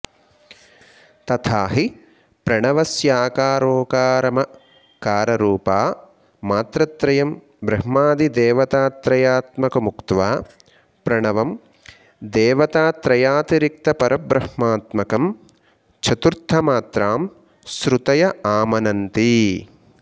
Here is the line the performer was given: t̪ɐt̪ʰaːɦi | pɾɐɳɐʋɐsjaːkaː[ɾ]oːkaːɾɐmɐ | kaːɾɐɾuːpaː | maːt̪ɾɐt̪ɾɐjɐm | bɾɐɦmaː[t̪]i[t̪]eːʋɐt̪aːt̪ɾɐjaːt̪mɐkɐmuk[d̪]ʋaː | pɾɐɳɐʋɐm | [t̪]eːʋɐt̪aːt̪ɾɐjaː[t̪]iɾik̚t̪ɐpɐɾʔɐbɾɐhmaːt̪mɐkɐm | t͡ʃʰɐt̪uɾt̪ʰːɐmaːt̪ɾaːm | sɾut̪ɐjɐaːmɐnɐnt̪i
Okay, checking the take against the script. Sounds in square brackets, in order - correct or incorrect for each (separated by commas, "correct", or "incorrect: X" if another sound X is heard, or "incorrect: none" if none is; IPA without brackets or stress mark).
correct, incorrect: d̪, incorrect: d̪, incorrect: t̪, incorrect: d̪, correct